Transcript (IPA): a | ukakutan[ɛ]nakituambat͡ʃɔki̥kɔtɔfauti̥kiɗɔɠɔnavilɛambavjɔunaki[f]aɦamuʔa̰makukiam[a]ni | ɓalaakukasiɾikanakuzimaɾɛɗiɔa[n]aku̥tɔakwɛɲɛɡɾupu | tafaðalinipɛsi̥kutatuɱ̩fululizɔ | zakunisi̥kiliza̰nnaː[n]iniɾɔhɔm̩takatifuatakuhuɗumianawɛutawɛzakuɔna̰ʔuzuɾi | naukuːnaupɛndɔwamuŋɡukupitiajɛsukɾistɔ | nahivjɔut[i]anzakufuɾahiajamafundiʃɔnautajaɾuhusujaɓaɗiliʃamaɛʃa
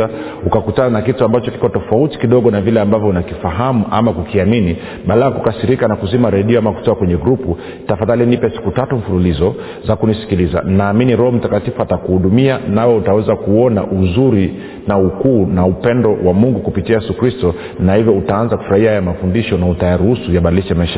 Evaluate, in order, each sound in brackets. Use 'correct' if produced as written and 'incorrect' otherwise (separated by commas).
incorrect, correct, incorrect, incorrect, incorrect, incorrect